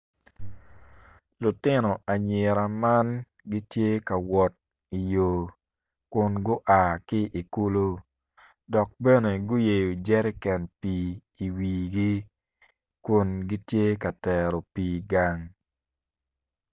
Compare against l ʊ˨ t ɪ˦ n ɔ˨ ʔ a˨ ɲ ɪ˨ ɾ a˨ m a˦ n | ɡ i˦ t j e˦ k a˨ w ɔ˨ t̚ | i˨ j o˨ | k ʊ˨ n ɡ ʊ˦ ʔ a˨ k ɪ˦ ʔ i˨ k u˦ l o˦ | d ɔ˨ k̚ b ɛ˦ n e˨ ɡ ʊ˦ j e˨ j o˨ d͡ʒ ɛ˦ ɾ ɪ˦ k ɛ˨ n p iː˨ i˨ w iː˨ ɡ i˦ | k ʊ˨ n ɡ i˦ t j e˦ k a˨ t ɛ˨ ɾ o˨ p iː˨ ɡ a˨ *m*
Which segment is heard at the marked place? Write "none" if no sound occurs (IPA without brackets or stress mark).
ŋ